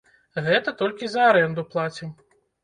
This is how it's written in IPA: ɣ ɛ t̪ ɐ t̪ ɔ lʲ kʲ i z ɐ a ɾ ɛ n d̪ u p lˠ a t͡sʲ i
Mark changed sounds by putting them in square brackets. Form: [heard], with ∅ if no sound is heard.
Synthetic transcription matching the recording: ɣ ɛ t̪ ɐ t̪ ɔ lʲ kʲ i z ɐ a ɾ ɛ n d̪ u p lˠ a t͡sʲ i